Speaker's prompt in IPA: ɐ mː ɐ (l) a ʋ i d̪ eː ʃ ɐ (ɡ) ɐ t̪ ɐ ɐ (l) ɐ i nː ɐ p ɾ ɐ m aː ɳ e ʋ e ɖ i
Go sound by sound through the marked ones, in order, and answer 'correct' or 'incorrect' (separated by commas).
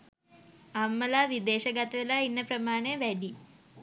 correct, correct, correct